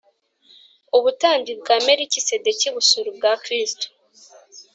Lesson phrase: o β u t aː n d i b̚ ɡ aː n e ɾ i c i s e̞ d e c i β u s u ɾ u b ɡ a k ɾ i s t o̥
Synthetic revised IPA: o β u t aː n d i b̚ ɡ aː m e ɾ i c i s e̞ d e c i β u s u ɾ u b ɡ a k ɾ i s t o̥